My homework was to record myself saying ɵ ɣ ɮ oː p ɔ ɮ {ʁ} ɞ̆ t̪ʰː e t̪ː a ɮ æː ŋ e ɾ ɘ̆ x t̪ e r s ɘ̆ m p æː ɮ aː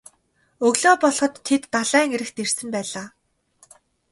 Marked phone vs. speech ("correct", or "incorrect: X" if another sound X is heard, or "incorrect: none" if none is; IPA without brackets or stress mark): incorrect: χ